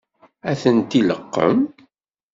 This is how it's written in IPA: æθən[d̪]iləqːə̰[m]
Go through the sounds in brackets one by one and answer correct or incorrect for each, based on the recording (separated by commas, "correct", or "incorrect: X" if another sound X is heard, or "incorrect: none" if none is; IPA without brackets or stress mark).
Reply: incorrect: t̪, correct